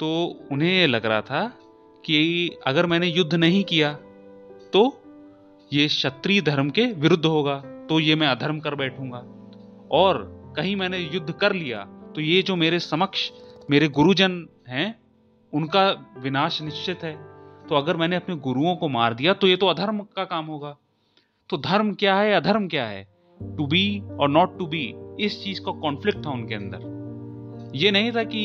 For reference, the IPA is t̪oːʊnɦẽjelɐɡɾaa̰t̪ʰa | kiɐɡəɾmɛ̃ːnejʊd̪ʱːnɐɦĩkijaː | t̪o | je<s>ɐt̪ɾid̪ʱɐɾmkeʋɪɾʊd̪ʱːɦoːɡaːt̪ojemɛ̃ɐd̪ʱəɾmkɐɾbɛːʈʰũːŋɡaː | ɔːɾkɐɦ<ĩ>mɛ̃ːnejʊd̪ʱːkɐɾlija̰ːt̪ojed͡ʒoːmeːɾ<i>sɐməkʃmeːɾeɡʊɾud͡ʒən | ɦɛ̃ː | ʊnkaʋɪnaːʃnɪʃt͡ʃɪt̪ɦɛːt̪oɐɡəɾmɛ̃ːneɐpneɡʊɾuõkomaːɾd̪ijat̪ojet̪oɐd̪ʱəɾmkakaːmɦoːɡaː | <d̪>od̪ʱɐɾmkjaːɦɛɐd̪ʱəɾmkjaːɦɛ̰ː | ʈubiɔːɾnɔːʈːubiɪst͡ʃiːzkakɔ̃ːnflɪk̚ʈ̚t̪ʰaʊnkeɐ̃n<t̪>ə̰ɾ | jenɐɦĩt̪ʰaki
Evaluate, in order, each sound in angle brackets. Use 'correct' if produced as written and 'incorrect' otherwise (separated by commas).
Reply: incorrect, correct, incorrect, incorrect, incorrect